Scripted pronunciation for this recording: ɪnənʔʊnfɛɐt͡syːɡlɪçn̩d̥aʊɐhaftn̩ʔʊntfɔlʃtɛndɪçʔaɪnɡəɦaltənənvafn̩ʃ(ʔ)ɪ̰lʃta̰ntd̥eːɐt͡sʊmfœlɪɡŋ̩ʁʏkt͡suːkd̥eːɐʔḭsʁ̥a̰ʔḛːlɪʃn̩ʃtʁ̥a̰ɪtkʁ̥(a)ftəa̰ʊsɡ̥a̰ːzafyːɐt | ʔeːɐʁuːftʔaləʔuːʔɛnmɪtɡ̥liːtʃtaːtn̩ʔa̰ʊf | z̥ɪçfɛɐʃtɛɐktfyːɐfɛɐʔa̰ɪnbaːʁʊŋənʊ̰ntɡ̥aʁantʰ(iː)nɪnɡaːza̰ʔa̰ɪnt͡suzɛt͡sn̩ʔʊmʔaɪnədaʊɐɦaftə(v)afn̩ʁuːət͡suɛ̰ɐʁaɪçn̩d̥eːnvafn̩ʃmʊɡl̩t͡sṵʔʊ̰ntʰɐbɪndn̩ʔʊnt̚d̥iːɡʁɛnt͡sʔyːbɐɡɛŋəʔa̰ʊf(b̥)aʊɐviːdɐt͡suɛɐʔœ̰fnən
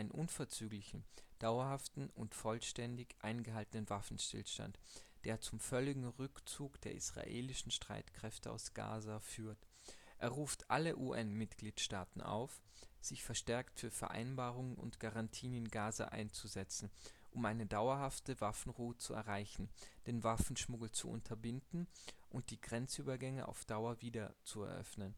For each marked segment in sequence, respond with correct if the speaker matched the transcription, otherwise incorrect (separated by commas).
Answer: incorrect, incorrect, correct, correct, incorrect